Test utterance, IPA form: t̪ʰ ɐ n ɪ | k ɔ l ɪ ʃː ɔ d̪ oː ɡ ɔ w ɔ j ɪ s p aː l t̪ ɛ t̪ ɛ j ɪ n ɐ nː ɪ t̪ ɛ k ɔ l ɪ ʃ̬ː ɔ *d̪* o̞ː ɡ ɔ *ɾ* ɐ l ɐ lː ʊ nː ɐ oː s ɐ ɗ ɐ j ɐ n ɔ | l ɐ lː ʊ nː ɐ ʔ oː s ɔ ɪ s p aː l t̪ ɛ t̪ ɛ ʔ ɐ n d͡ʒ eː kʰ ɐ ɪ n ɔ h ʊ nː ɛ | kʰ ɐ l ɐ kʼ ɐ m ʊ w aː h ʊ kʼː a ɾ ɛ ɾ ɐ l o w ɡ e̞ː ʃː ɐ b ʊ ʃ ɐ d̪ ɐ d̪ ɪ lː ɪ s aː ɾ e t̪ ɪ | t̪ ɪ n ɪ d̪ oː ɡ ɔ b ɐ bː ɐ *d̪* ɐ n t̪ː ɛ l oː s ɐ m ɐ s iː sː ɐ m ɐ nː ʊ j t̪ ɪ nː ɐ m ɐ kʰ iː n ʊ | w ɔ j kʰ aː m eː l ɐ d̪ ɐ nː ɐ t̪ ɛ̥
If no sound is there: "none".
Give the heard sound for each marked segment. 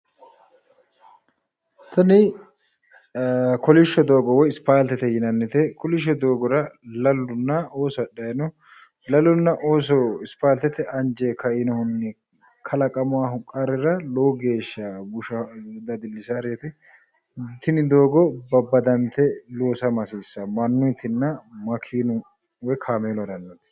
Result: d̪, ɾ, d̪

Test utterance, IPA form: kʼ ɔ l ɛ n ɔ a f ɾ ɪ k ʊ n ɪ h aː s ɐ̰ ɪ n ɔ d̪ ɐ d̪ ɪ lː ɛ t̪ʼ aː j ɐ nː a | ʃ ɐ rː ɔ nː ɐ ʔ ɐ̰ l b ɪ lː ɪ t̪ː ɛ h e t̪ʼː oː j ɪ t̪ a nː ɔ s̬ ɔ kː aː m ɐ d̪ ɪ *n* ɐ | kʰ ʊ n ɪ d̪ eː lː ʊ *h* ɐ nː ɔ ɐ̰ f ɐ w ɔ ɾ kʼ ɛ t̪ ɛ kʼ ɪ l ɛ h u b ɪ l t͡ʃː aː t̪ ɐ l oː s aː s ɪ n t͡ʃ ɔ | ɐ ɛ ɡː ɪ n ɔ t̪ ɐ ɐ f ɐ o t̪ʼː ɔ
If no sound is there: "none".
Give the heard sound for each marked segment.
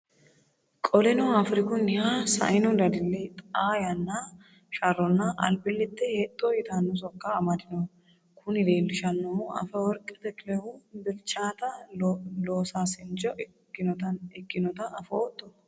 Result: n, ʃ

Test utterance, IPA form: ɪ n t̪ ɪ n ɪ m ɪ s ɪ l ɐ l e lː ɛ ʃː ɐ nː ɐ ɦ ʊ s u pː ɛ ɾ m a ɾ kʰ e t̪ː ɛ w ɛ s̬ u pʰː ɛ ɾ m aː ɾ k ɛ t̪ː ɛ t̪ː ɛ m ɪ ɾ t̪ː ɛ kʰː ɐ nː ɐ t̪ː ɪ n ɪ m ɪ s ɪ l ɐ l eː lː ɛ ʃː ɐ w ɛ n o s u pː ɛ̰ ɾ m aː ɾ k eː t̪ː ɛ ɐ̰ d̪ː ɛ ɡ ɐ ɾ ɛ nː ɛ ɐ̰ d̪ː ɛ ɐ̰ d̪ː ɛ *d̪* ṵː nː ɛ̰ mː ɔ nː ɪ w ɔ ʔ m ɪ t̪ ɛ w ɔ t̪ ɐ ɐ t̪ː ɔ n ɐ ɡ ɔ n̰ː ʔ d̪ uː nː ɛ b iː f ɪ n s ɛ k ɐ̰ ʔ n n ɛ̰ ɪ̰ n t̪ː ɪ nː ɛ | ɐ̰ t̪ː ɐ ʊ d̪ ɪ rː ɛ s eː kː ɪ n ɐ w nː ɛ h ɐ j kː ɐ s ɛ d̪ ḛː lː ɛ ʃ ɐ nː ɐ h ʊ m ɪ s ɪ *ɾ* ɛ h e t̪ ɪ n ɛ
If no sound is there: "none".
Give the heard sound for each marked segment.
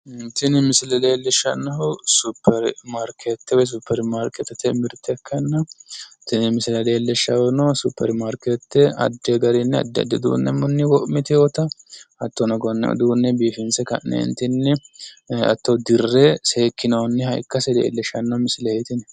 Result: d̪, l

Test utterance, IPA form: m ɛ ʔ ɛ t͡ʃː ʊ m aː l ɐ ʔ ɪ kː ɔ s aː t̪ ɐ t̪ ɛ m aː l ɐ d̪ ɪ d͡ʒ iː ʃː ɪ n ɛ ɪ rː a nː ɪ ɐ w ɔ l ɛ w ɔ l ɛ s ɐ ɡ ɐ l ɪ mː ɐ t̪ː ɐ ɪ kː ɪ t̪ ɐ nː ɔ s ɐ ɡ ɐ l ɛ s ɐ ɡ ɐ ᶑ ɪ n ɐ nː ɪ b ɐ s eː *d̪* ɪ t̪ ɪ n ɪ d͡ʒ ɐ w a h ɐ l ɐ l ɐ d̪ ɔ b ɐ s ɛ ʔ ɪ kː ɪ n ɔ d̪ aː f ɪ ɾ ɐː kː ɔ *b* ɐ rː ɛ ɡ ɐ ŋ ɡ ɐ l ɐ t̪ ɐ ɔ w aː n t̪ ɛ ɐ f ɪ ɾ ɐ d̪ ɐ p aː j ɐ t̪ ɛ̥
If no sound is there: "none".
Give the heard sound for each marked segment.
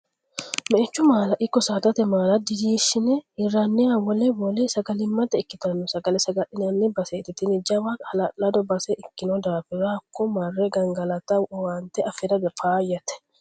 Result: t̪, m

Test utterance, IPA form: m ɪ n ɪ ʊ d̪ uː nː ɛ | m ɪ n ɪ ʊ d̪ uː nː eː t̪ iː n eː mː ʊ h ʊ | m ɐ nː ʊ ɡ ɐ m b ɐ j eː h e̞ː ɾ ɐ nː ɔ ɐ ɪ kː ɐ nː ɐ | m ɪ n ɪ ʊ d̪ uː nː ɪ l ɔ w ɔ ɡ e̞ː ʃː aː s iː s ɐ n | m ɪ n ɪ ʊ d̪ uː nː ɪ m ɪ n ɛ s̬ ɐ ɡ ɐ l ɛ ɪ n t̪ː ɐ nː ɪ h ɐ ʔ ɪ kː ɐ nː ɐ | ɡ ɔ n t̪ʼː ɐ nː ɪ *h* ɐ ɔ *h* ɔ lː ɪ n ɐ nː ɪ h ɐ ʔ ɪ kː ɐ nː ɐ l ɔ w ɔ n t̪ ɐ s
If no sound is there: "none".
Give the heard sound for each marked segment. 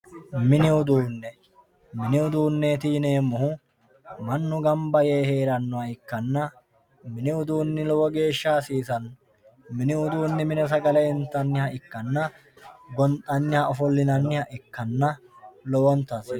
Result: h, f

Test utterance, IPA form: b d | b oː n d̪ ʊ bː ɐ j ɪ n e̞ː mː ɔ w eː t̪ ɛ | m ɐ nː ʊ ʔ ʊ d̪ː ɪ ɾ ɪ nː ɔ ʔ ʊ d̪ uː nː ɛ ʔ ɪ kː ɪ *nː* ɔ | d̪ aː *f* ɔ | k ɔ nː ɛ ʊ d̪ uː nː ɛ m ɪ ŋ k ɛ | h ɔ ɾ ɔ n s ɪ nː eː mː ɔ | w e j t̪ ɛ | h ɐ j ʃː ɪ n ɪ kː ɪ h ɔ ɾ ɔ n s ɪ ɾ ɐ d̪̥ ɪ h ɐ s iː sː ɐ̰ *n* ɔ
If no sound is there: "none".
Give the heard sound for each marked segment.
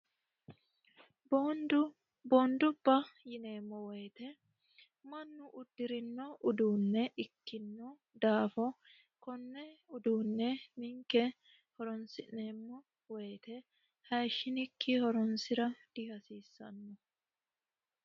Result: nː, f, nː

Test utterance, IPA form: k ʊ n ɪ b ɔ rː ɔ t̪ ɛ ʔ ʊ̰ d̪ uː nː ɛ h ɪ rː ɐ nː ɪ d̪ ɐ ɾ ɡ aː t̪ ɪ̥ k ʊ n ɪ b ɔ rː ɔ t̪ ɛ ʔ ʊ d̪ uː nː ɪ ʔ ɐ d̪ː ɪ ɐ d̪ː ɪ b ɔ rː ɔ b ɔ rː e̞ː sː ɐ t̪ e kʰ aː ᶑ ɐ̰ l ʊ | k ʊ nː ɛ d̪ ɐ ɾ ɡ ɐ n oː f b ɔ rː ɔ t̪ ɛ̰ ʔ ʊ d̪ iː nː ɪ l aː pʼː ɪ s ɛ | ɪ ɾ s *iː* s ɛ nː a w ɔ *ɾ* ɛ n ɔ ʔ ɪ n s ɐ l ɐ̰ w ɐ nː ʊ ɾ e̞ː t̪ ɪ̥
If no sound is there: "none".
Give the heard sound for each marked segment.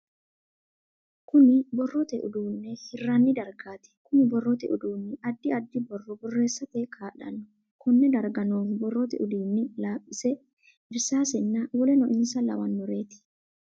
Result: aː, l

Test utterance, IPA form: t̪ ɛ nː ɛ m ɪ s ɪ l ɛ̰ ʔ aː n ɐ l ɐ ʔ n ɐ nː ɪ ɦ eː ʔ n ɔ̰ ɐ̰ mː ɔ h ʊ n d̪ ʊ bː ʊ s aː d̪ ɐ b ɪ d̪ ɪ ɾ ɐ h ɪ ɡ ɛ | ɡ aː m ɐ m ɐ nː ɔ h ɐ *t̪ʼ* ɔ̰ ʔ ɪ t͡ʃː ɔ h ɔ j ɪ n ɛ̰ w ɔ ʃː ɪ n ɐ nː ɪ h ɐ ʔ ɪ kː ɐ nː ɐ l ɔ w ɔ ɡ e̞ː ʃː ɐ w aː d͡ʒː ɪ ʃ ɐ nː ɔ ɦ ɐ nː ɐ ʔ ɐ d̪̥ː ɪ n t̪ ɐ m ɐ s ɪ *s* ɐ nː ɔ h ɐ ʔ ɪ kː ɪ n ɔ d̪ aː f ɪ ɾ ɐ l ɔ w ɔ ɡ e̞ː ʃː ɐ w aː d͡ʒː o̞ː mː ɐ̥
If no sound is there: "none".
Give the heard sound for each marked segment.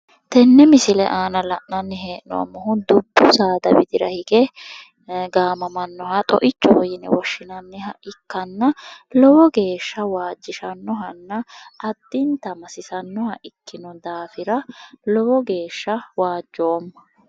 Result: t̪ʼ, s

